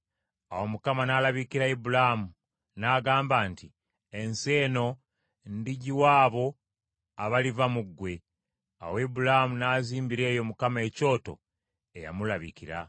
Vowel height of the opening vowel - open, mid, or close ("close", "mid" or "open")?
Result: open